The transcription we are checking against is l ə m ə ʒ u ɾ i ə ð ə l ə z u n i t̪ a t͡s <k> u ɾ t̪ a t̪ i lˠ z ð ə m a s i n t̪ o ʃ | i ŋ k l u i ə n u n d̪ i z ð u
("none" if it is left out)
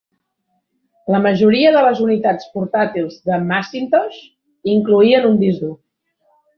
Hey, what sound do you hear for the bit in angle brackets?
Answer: p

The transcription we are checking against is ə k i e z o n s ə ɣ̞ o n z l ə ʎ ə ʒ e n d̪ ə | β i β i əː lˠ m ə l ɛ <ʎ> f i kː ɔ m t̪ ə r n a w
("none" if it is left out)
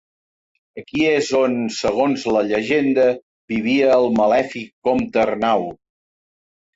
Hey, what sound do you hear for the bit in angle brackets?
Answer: none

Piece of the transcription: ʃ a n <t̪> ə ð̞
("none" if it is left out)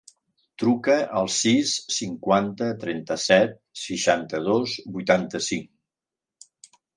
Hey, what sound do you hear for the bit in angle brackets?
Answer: t̪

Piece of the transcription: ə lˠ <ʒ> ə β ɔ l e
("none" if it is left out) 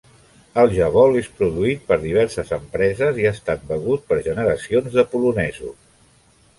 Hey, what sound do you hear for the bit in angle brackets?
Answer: ʒ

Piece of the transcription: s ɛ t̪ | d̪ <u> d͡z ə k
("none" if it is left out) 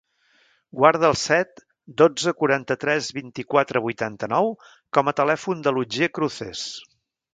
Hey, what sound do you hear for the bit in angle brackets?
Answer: o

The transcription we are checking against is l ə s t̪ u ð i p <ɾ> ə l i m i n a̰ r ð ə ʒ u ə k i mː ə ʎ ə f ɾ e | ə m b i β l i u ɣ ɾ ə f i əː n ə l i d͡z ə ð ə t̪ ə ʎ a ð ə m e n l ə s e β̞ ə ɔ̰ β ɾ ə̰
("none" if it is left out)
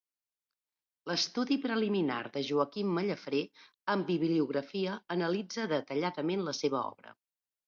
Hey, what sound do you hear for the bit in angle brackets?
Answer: ɾ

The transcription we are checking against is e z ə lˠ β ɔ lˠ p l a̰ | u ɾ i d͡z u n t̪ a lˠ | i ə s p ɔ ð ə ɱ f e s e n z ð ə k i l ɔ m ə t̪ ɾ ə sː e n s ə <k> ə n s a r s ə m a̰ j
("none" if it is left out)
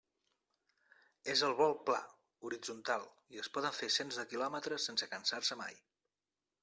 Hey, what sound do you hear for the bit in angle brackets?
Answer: k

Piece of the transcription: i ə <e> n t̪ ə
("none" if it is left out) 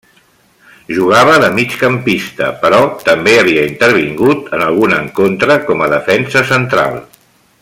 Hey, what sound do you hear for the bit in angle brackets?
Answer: i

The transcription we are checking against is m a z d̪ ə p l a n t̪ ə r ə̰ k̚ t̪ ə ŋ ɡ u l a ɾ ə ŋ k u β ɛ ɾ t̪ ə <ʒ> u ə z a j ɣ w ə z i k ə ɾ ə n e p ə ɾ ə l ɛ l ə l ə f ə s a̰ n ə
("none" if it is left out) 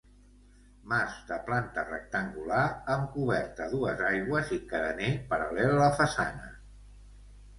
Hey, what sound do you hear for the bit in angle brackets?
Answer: ð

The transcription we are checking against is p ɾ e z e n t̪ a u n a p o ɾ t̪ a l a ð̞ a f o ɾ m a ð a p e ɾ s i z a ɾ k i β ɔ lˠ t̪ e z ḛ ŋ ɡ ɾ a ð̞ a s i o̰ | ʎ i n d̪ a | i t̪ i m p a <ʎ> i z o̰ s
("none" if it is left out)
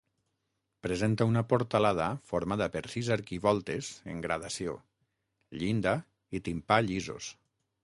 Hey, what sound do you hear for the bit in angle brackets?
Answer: ʎ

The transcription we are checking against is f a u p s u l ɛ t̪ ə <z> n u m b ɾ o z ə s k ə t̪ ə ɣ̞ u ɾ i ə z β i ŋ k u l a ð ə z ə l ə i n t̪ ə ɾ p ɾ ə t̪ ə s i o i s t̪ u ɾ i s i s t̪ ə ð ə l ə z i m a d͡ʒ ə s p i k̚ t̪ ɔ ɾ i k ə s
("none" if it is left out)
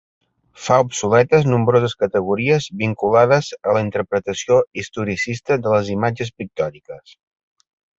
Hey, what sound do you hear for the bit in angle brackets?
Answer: z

